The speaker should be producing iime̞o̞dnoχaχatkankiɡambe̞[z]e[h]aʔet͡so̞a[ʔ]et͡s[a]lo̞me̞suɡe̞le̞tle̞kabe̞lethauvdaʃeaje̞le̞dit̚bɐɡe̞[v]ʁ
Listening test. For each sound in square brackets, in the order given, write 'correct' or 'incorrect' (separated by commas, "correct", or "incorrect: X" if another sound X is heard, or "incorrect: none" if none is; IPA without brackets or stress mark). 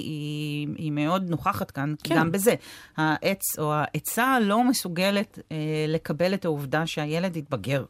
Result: correct, correct, correct, correct, incorrect: none